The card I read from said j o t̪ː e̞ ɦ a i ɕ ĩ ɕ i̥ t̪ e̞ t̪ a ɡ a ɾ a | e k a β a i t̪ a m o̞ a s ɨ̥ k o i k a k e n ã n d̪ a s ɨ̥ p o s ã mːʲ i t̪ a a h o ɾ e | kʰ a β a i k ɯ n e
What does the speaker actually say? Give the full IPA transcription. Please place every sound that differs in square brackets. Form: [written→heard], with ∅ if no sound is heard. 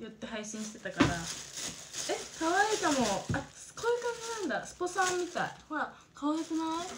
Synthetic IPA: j o t̪ː e̞ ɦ a i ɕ ĩ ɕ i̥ t̪ e̞ t̪ a [ɡ→k] a ɾ a | e k a β a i t̪ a m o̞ a s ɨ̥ k o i k a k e n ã n d̪ a s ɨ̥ p o s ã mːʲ i t̪ a [a→i] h o ɾ [e→a] | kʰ a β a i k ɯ n [e→a]